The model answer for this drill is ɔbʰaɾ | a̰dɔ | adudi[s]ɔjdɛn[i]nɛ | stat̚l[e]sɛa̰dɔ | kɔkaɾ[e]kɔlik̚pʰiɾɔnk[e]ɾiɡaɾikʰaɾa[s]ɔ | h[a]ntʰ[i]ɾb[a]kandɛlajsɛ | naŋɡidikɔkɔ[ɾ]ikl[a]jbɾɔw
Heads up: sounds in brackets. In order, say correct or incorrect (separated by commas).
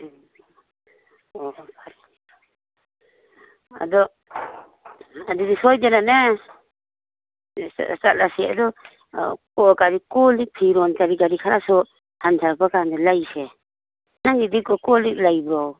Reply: correct, incorrect, incorrect, incorrect, incorrect, correct, correct, incorrect, correct, incorrect, correct